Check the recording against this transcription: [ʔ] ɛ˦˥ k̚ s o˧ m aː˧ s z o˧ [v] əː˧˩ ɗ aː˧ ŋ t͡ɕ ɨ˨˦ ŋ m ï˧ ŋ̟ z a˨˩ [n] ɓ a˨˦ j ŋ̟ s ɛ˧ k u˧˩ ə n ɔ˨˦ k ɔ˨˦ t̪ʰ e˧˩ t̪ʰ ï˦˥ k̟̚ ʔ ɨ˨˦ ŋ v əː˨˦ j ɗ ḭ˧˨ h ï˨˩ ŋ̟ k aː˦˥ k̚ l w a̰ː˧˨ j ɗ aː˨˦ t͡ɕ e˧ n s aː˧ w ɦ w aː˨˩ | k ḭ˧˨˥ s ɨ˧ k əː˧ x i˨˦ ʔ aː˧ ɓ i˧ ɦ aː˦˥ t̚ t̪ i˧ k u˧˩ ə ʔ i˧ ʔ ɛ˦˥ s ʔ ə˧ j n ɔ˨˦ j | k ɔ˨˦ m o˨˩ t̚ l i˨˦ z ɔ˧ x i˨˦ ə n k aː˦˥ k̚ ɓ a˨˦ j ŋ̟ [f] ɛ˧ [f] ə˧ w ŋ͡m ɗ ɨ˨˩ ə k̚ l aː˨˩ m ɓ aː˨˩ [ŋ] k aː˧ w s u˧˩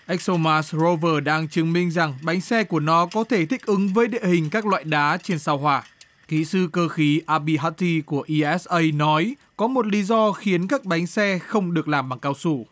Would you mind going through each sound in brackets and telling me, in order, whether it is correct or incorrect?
correct, correct, incorrect: ŋ, incorrect: s, incorrect: x, correct

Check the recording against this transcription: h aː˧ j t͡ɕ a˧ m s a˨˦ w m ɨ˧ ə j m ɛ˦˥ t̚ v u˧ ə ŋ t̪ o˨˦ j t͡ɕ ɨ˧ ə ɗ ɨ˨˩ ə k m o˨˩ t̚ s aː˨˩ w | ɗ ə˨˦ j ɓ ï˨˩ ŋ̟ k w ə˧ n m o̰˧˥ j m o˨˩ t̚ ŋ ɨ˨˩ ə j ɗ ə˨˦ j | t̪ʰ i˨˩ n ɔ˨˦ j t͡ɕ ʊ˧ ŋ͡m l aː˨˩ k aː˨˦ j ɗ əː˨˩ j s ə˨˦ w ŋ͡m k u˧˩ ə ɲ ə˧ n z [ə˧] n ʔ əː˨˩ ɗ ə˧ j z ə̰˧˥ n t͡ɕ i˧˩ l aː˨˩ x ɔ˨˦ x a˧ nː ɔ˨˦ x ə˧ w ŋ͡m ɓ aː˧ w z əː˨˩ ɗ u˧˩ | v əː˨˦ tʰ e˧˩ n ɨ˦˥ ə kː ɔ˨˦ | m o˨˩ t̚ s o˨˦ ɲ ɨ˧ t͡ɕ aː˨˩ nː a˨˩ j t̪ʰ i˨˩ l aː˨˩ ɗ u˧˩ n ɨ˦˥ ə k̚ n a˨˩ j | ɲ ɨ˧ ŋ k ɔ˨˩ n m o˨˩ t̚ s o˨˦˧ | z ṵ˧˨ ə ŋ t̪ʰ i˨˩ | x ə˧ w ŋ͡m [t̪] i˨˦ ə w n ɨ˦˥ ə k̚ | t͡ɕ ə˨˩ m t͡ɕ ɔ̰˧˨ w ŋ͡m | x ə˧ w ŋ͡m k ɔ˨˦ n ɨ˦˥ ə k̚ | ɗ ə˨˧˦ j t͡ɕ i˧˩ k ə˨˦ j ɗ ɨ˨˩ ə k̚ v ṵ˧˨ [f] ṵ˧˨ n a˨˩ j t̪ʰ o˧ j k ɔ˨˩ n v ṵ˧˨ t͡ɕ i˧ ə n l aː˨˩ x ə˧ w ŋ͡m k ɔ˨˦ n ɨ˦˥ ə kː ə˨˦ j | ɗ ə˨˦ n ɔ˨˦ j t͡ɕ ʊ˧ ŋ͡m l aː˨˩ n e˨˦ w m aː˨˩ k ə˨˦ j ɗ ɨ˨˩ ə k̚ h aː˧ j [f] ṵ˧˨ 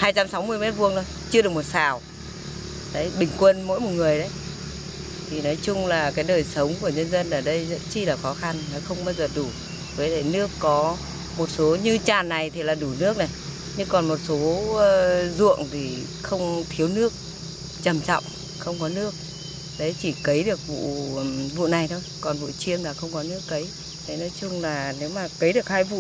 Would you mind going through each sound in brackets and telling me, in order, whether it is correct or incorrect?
correct, incorrect: t̪ʰ, incorrect: v, incorrect: v

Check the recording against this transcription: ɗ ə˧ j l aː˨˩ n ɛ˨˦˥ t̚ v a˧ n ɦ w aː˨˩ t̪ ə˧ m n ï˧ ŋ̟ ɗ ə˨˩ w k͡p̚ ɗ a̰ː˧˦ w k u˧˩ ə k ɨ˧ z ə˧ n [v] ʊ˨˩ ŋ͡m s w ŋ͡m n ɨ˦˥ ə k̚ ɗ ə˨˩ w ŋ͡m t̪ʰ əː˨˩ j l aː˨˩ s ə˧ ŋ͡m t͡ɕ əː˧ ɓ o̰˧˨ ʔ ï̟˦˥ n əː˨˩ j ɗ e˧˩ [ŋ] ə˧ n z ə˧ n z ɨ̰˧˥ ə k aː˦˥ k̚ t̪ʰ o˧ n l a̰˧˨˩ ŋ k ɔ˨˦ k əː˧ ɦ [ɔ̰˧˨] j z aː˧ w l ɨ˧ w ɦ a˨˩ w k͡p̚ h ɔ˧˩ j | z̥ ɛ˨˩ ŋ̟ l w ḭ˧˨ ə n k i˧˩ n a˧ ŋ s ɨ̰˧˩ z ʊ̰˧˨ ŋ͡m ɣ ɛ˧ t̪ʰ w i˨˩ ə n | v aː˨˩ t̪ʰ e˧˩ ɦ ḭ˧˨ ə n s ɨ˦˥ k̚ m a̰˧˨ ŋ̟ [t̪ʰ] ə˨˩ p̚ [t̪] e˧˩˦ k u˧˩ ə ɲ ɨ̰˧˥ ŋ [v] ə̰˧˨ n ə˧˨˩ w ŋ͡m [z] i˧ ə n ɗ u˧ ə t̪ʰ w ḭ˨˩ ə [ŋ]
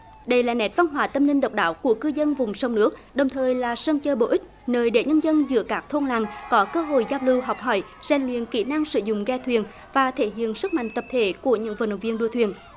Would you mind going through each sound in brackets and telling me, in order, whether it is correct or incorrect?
correct, incorrect: ɲ, incorrect: o̰˧˨, incorrect: t̪, incorrect: t̪ʰ, correct, incorrect: v, incorrect: n

